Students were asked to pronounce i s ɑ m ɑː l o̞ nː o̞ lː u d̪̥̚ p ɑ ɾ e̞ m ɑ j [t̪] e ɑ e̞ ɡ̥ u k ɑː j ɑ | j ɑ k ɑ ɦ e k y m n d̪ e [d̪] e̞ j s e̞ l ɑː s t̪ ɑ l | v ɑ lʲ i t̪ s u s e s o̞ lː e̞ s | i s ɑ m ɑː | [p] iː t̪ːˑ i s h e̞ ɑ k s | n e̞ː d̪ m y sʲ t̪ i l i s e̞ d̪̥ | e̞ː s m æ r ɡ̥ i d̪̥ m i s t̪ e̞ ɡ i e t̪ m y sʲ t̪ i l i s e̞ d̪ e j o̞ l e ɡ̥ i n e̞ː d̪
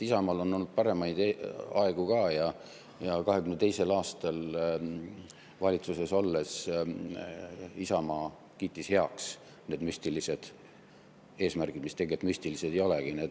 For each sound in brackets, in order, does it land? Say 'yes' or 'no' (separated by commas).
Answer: no, no, no